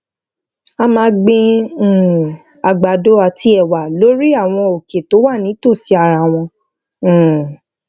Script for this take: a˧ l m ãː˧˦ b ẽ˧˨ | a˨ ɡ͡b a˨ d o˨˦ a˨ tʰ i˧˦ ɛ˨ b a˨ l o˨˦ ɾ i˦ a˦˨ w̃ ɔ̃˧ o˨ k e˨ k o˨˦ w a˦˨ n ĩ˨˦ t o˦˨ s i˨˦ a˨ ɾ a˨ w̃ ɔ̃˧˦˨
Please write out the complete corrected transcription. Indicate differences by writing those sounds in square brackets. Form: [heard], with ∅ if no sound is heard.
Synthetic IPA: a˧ [∅] m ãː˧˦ [ɡ͡b] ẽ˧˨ | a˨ ɡ͡b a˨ d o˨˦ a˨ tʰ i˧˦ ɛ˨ [w] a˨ l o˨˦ ɾ i˦ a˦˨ w̃ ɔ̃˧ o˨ k e˨ [t] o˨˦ w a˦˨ n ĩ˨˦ t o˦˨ s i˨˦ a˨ ɾ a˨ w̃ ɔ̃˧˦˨